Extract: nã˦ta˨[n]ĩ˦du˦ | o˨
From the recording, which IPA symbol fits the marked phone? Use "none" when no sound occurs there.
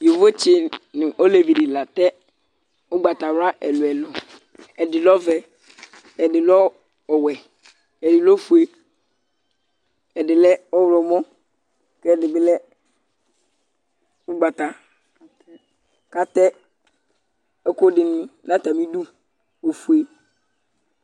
m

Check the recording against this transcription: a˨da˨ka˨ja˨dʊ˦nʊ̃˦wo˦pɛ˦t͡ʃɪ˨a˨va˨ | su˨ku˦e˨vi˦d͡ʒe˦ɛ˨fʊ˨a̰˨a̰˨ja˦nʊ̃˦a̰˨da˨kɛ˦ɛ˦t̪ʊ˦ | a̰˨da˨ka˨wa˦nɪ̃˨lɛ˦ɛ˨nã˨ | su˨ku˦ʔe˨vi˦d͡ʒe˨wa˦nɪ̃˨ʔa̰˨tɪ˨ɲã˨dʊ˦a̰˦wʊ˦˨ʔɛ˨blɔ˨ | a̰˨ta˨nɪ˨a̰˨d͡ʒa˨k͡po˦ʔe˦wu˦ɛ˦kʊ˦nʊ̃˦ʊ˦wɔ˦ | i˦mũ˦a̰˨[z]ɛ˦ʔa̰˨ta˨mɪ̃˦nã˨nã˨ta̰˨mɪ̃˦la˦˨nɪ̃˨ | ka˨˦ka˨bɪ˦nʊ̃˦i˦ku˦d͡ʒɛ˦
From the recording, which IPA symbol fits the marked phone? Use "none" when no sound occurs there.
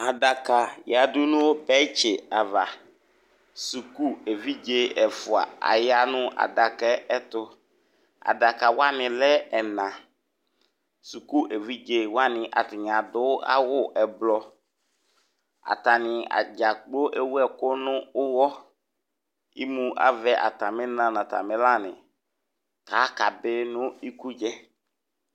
v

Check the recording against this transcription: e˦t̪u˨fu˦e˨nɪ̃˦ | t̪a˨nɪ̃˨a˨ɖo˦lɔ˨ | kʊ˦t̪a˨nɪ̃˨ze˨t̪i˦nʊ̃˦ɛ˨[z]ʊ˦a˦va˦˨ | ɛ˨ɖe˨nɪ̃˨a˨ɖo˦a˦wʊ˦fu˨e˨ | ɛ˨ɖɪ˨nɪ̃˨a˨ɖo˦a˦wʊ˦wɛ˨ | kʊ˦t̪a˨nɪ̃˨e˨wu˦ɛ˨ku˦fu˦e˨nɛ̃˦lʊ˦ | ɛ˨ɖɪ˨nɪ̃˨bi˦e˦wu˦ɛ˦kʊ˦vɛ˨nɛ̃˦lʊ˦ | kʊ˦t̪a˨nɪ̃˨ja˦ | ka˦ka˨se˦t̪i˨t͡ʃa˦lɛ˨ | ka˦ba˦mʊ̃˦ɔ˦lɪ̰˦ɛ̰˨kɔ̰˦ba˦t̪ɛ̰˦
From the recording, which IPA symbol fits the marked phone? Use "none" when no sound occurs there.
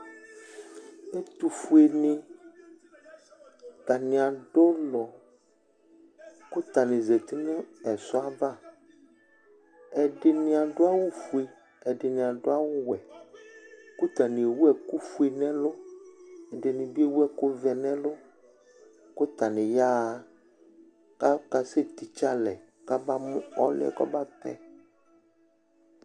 s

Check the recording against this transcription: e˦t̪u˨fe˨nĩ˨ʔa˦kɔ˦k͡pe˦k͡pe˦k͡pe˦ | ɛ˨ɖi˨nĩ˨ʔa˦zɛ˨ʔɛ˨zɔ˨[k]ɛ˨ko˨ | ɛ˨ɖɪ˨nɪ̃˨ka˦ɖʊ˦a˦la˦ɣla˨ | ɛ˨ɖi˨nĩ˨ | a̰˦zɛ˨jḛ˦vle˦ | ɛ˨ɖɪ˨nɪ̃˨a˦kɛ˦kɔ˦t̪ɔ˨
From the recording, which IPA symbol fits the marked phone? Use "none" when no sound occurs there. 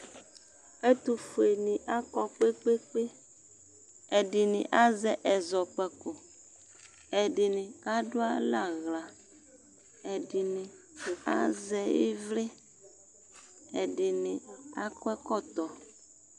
k͡p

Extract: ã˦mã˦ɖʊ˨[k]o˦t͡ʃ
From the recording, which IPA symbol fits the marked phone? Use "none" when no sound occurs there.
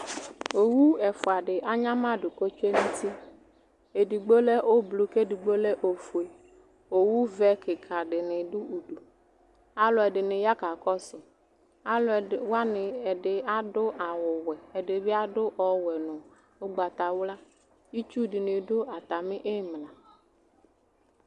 k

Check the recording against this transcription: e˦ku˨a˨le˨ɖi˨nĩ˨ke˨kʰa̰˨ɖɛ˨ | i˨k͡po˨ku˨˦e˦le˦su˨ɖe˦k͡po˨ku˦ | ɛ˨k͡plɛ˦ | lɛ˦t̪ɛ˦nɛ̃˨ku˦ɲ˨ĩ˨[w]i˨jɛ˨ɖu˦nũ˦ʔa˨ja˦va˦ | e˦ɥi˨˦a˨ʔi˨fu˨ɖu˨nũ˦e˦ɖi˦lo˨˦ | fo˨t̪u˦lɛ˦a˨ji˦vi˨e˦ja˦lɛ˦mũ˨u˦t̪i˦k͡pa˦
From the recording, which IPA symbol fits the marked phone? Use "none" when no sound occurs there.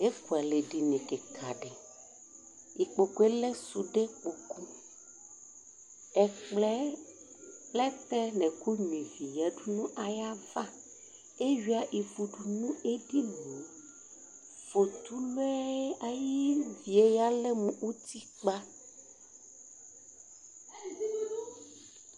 v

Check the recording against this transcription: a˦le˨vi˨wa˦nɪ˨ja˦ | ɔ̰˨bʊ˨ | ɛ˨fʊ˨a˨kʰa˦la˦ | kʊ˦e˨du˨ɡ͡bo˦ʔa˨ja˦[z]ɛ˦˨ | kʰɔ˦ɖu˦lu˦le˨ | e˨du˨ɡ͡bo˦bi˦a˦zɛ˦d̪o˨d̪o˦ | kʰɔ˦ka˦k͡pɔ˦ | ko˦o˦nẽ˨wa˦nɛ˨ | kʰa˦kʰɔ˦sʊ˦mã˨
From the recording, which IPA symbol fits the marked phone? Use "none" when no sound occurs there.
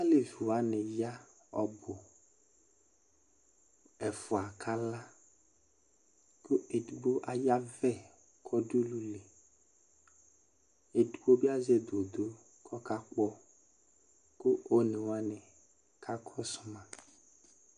v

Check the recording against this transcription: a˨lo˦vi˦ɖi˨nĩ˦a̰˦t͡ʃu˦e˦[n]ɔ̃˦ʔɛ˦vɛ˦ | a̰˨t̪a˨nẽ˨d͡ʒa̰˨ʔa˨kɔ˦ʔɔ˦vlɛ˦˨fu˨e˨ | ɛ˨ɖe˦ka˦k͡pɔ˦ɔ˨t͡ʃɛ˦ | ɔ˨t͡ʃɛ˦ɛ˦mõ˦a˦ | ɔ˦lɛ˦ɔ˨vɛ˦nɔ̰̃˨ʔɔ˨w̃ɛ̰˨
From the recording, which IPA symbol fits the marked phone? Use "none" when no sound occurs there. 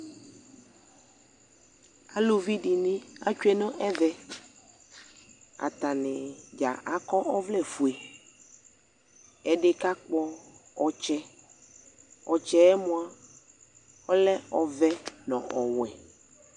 n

